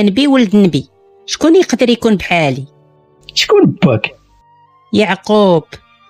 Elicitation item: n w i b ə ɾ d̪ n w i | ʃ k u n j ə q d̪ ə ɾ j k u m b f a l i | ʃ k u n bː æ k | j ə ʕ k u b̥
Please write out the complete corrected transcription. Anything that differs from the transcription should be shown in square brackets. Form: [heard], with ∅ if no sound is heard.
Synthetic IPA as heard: n [b] i [w] ə [l] d̪ n [b] i | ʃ k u n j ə q d̪ ə ɾ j k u [n] b [ħ] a l i | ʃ k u n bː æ k | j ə ʕ [q] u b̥